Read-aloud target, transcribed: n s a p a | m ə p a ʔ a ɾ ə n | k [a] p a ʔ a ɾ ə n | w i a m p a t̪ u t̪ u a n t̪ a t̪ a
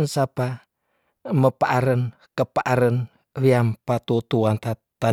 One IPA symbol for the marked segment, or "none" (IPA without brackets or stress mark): ə